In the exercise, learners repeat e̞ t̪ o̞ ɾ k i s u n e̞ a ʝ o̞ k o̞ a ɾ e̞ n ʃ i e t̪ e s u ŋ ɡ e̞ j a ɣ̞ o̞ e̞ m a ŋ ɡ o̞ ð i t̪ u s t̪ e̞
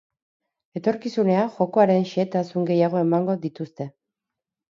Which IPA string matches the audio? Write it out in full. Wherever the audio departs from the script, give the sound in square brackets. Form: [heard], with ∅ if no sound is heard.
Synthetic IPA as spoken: e̞ t̪ o̞ ɾ k i s u n e̞ a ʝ o̞ k o̞ a ɾ e̞ n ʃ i e t̪ [a] s u ŋ ɡ e̞ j a ɣ̞ o̞ e̞ m a ŋ ɡ o̞ ð i t̪ u s t̪ e̞